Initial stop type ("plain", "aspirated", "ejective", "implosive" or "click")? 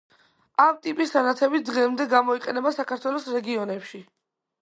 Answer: ejective